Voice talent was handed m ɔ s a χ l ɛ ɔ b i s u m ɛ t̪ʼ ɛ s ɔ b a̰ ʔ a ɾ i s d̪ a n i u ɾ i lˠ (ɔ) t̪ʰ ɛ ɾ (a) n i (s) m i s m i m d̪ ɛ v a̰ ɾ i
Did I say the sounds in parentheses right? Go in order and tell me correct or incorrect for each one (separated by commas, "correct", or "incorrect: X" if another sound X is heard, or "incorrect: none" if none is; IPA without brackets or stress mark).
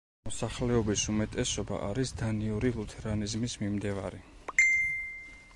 incorrect: u, correct, incorrect: z